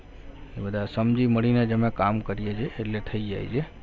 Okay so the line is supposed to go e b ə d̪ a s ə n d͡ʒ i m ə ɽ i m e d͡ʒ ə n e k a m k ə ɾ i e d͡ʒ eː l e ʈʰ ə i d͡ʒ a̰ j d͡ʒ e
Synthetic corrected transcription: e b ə d̪ a s ə m d͡ʒ i m ə ɽ i n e d͡ʒ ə m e k a m k ə ɾ i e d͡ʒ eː l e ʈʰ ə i d͡ʒ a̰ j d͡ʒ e